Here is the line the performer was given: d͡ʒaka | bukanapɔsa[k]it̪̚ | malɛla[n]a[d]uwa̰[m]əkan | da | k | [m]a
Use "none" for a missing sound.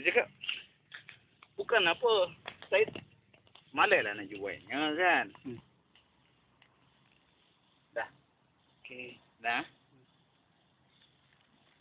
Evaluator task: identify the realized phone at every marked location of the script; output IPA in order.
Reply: none, n, d͡ʒ, ɲ, n

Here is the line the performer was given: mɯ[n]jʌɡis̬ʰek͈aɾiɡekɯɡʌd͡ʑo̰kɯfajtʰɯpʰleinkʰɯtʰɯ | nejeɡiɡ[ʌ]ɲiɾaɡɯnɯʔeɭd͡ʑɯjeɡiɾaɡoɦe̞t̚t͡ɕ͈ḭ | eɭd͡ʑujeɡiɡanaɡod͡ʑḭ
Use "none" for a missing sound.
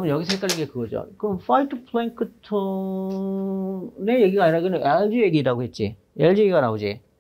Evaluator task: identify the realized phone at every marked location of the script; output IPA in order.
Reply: n, a

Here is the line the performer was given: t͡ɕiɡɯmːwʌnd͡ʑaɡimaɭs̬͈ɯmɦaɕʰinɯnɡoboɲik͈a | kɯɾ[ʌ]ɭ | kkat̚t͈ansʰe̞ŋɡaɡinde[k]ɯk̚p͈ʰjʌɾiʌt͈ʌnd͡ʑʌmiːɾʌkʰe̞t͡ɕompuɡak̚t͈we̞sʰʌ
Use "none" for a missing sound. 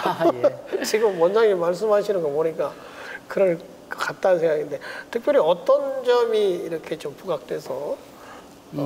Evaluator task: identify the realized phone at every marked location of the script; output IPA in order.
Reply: ʌ, t

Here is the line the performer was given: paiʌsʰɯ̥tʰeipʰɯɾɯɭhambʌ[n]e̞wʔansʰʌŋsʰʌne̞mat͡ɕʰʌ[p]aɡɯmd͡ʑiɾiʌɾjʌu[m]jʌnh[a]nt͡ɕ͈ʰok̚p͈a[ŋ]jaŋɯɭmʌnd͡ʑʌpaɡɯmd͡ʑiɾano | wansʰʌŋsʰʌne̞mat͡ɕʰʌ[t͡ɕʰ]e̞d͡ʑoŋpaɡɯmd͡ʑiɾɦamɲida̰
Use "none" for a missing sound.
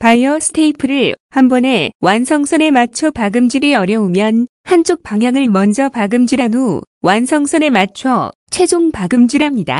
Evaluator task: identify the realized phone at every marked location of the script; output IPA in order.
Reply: n, p, m, a, ŋ, t͡ɕʰ

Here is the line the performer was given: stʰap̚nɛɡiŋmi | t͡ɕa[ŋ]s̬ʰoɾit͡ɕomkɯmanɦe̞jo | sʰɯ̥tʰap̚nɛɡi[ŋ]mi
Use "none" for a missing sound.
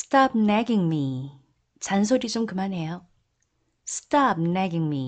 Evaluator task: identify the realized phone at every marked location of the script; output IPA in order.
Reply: n, ŋ

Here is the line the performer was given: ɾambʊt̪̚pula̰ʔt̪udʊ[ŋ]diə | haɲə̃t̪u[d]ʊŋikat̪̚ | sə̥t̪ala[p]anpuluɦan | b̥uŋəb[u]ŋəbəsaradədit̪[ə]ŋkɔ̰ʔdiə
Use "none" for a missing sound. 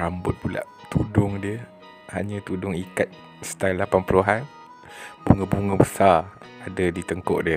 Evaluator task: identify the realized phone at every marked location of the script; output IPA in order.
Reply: ŋ, d, p, u, ə

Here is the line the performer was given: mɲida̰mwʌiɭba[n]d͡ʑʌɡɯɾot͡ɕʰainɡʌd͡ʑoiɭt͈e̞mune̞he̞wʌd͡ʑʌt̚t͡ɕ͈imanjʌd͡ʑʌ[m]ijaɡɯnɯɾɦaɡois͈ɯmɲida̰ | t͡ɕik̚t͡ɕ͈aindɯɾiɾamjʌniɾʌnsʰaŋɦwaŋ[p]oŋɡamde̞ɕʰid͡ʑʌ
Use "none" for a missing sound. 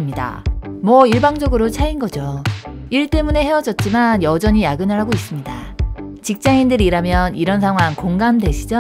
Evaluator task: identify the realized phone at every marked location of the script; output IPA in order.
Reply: ŋ, ɲ, k

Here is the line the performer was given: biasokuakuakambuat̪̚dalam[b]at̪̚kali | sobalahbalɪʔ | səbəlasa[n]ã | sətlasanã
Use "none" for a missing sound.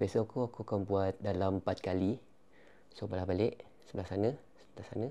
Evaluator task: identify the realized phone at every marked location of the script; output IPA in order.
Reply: p, n

